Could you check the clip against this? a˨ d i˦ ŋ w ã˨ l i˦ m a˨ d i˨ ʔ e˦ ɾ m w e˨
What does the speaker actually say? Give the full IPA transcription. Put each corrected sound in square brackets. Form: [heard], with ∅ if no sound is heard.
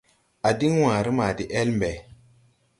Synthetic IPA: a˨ d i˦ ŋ w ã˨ [ɾ] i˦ m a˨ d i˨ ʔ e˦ [l] m [b] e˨